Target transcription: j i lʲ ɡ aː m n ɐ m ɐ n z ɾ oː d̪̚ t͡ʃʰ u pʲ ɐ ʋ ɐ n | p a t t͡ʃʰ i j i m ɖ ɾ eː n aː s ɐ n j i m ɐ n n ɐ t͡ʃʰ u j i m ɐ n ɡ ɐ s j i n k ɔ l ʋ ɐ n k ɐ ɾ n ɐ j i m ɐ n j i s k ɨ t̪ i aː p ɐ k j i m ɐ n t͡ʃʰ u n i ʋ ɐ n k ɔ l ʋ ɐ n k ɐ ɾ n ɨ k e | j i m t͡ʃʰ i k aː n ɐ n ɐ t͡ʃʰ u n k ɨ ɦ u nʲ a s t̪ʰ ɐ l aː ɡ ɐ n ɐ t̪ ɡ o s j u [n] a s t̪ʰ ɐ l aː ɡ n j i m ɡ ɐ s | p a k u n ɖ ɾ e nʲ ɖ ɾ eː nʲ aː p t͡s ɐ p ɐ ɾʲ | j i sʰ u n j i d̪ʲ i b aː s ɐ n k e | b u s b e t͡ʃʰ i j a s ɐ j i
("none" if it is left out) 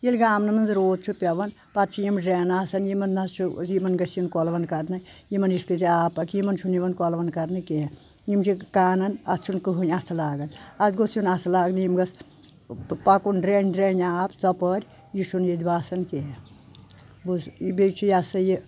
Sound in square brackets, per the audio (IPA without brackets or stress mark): n